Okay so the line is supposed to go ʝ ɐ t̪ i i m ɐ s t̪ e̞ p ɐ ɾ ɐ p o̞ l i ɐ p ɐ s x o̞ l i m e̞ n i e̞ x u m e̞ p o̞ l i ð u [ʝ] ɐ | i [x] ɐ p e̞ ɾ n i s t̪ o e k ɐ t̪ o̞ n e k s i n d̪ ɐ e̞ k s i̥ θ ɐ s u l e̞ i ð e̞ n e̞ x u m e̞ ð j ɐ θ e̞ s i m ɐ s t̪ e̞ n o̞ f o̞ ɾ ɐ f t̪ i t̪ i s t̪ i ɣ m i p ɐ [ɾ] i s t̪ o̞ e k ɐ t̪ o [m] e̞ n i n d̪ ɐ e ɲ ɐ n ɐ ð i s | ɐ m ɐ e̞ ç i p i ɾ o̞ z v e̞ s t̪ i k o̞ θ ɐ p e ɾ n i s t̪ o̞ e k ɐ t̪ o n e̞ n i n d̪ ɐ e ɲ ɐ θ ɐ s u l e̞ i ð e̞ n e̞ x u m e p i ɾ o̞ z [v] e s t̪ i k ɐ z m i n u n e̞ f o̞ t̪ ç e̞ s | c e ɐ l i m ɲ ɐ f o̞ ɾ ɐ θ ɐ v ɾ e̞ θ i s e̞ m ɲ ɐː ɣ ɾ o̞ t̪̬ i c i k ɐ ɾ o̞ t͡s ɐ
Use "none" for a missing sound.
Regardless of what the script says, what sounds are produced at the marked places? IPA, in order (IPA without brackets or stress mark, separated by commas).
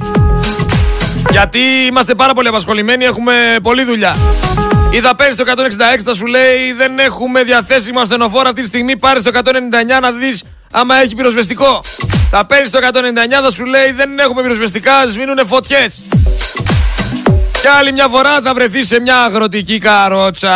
ʎ, θ, ɾ, n, v